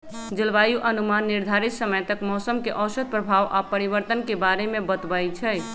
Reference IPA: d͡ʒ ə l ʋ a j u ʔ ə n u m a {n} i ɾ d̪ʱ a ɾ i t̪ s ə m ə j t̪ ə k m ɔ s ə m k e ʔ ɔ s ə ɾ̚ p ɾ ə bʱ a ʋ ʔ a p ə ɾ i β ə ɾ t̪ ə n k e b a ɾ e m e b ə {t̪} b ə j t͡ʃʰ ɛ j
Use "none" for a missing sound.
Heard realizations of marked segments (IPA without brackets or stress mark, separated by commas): nː, t̪